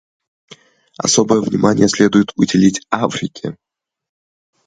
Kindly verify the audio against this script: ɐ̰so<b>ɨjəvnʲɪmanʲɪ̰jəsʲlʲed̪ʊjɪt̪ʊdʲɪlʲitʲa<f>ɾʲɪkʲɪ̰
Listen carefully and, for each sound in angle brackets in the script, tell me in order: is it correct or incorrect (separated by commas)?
correct, correct